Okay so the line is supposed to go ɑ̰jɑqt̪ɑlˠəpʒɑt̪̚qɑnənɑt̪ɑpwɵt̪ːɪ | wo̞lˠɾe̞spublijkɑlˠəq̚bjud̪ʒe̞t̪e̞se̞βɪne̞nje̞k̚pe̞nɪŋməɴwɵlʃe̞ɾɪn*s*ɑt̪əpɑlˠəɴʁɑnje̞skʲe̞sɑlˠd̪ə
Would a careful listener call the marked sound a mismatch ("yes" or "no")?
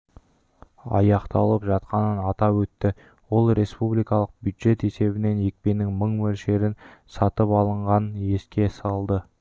no